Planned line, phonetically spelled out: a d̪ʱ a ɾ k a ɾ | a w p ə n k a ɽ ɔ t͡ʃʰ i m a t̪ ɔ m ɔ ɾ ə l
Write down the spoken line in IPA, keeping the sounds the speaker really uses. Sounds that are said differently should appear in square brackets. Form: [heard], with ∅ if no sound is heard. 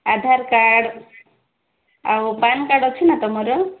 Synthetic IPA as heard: a d̪ʱ a ɾ k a [ɽ] | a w p [a] n k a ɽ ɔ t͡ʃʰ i [n] a t̪ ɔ m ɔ ɾ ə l